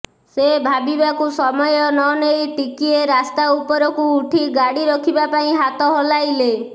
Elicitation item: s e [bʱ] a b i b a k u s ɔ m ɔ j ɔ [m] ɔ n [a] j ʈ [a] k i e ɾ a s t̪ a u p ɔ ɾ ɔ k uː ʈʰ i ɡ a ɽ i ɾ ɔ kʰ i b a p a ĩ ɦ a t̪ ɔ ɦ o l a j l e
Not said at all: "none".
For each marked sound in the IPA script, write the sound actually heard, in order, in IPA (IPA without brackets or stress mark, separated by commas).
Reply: bʱ, n, e, i